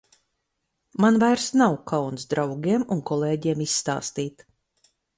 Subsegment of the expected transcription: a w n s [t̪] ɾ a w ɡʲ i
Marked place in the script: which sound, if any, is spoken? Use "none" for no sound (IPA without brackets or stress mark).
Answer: d̪